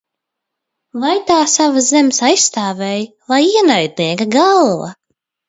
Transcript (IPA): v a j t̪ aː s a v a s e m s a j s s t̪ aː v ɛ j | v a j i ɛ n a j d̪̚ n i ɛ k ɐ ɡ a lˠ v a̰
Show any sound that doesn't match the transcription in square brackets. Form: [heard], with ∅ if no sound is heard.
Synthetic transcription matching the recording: v a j t̪ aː s a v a [z] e m s a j s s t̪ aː v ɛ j | v a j i ɛ n a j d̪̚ n i ɛ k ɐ ɡ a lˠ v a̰